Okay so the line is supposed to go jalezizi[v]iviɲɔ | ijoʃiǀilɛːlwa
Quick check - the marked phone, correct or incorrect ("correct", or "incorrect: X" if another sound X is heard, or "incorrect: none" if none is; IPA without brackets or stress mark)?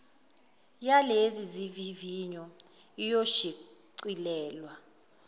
correct